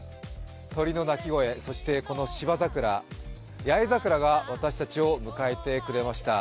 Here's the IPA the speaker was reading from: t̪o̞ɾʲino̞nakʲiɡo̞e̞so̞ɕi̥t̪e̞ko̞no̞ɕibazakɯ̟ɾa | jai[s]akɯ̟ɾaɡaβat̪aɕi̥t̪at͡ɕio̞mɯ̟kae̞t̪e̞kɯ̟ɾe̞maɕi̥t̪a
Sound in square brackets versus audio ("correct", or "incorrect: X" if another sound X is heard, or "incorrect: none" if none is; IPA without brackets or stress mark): incorrect: z